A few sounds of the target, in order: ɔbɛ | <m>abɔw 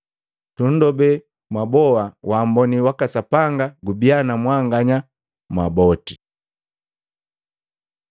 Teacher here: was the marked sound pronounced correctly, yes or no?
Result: yes